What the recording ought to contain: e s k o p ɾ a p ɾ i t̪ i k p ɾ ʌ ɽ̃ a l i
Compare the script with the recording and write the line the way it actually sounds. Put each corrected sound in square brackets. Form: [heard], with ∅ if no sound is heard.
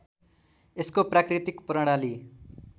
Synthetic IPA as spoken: e s k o p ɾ a [k] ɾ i t̪ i k p ɾ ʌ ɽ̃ a l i